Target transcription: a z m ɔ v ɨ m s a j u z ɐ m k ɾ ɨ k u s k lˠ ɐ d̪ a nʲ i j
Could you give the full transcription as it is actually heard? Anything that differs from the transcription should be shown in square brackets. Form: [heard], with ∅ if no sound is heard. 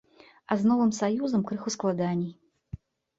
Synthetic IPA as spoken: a z [n] ɔ v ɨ m s a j u z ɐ m k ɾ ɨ [x] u s k lˠ [a] d̪ a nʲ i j

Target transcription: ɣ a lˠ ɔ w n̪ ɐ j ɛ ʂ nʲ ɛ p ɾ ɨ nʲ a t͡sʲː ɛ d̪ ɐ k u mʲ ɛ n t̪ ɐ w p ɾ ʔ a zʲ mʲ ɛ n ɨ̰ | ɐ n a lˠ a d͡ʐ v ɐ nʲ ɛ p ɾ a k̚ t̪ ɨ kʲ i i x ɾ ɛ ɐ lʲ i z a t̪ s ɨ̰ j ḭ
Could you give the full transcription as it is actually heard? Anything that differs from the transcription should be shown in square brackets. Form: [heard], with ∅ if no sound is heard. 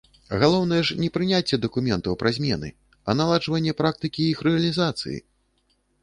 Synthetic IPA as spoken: ɣ a lˠ ɔ w n̪ ɐ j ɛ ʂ nʲ ɛ p ɾ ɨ nʲ a t͡sʲː ɛ d̪ ɐ k u mʲ ɛ n t̪ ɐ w p ɾ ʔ a zʲ mʲ ɛ n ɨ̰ | ɐ n a lˠ a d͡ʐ v ɐ [nʲː] ɛ p ɾ a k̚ t̪ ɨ kʲ i i x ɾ ɛ ɐ lʲ i z a t̪ s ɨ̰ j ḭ

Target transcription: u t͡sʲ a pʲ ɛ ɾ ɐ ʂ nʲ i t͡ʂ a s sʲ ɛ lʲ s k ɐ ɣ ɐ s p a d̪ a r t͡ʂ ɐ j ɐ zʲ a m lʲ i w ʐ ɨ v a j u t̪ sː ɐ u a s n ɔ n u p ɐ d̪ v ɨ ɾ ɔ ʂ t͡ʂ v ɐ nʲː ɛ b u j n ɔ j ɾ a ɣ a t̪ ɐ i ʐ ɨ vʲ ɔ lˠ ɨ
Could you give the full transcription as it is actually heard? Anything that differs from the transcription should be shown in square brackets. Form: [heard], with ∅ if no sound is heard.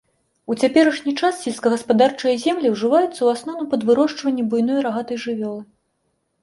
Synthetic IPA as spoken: u t͡sʲ a pʲ ɛ ɾ ɐ ʂ nʲ i t͡ʂ a s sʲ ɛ lʲ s k ɐ ɣ ɐ s p a d̪ a r t͡ʂ ɐ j ɐ zʲ [ɛ] m lʲ i w ʐ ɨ v a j u t̪ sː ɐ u a s n ɔ n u p ɐ d̪ v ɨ ɾ ɔ ʂ t͡ʂ v ɐ nʲː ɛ b u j n ɔ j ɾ a ɣ a t̪ ɐ [j] ʐ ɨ vʲ ɔ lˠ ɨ

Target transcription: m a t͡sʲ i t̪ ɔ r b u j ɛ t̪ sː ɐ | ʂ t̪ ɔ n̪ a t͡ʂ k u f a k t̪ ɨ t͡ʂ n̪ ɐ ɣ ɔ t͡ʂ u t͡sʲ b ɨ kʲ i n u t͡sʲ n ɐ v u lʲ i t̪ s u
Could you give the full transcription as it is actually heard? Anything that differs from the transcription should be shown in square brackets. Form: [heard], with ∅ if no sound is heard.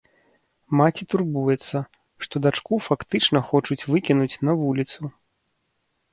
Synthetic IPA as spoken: m a t͡sʲ i t̪ [u] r b u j ɛ t̪ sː ɐ | ʂ t̪ ɔ [d̪] a t͡ʂ k u f a k t̪ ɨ t͡ʂ n̪ ɐ [x] ɔ t͡ʂ u t͡sʲ [v] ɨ kʲ i n u t͡sʲ n ɐ v u lʲ i t̪ s u

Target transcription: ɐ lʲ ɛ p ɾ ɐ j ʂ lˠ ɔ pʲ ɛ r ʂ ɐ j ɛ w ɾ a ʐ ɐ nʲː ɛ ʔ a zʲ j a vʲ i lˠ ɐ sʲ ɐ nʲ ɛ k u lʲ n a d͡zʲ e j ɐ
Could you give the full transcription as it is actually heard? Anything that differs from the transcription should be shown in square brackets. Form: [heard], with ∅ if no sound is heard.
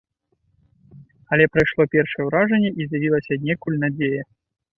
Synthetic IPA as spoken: ɐ lʲ ɛ p ɾ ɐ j ʂ lˠ ɔ pʲ ɛ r ʂ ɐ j ɛ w ɾ a ʐ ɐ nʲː ɛ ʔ [i] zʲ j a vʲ i lˠ ɐ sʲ ɐ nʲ ɛ k u lʲ n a d͡zʲ e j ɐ

